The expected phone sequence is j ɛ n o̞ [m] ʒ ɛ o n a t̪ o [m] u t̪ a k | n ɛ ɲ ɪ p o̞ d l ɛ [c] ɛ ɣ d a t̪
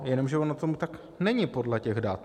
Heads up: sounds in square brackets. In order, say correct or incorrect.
correct, correct, correct

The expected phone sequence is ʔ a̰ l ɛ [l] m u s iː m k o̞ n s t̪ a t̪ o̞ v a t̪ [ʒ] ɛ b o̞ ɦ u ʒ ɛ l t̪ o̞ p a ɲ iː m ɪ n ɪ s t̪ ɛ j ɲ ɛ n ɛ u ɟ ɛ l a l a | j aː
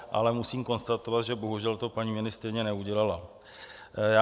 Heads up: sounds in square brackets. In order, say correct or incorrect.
incorrect, correct

